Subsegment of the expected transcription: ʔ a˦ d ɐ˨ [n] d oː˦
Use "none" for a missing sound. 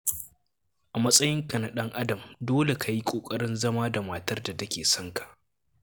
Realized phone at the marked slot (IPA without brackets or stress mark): m